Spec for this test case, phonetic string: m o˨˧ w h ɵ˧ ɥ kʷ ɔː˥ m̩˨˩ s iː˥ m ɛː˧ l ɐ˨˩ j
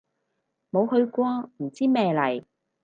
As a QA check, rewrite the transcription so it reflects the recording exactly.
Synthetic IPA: m o˨˧ w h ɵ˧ ɥ kʷ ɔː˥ m̩˨˩ t͡s iː˥ m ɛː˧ l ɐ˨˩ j